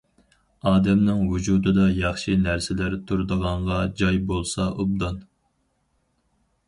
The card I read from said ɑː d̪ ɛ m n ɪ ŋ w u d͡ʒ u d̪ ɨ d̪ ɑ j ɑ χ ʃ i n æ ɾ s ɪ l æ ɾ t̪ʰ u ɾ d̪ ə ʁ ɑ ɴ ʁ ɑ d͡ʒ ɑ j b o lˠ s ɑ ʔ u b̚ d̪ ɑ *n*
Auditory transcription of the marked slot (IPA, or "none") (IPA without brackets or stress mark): n